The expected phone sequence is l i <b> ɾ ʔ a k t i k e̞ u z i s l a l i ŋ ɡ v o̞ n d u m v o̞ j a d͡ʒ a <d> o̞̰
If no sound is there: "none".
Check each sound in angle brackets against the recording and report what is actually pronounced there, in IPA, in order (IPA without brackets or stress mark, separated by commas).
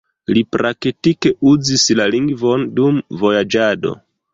p, d